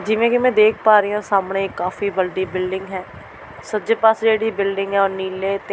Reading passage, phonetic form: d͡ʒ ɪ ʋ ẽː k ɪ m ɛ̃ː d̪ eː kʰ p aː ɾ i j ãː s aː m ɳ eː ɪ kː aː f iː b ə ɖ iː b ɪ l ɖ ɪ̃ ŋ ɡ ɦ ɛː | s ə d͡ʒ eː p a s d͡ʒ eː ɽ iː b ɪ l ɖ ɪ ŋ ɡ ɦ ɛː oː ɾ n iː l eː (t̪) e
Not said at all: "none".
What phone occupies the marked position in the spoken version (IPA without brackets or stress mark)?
t̪